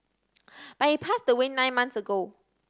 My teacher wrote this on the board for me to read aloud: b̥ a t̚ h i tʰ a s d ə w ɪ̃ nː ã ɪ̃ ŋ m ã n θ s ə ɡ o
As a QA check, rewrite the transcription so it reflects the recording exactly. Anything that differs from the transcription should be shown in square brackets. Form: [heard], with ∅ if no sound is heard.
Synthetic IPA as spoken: b̥ a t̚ h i [pʰ] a s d ə w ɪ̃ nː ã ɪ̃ [n] m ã n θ s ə ɡ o